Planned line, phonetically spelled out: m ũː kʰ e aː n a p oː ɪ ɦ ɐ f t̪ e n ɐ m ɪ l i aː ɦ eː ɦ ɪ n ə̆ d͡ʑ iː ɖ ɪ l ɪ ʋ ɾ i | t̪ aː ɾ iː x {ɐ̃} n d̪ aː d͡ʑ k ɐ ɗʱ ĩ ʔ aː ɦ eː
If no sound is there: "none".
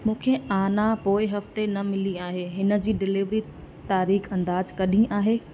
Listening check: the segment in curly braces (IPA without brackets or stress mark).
ɐ̃